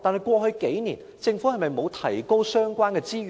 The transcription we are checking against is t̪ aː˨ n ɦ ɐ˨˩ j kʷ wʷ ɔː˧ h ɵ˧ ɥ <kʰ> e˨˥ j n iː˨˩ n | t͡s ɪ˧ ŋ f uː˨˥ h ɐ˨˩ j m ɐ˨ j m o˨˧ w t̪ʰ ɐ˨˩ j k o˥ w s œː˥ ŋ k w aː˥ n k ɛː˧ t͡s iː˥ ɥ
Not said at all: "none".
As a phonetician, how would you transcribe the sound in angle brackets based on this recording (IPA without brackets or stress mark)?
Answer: k